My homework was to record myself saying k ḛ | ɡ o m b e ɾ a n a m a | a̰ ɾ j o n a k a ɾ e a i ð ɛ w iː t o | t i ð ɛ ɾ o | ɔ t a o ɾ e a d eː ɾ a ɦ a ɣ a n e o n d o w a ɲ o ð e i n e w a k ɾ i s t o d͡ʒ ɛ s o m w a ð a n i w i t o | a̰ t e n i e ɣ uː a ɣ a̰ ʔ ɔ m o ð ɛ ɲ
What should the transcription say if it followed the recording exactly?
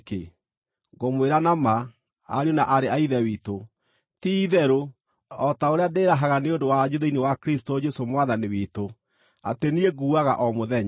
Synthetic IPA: k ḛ | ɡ o m w e ɾ a n a m a | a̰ ɾ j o n a ʔ a ɾ e a i ð ɛ w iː t o | t i ð ɛ ɾ o | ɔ t a o ɾ e a d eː ɾ a ɦ a ɣ a n e o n d o w a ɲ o ð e i n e w a k ɾ i s t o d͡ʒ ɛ s o m w a ð a n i w i t o | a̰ t e n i e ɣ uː a ɣ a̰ ʔ ɔ m o ð ɛ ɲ